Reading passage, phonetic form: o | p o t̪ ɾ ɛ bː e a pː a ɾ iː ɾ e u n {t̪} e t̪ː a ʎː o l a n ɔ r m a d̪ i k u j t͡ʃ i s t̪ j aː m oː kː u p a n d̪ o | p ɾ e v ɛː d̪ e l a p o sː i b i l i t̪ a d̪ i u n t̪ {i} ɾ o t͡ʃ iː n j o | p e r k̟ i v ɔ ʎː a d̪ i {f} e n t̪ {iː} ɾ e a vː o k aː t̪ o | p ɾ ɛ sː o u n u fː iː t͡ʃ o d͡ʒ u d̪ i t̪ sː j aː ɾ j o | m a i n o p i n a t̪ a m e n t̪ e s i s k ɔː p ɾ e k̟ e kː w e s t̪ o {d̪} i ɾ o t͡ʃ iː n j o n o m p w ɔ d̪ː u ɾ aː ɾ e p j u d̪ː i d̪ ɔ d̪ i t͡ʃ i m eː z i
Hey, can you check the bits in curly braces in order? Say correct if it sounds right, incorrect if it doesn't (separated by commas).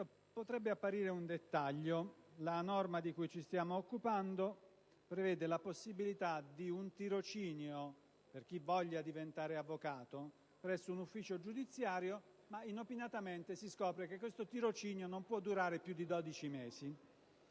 incorrect, correct, incorrect, incorrect, incorrect